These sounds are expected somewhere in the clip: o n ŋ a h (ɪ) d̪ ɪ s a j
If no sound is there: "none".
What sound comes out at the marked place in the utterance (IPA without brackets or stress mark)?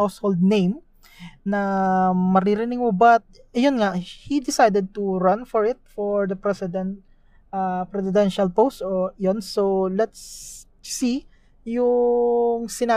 i